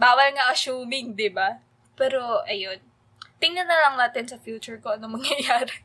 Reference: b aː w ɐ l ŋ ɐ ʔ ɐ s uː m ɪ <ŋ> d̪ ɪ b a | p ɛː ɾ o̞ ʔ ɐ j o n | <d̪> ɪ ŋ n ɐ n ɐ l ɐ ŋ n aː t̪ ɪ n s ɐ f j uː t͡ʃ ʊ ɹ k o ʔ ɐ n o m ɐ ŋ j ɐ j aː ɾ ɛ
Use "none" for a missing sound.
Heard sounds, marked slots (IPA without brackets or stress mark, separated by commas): ŋ, t̪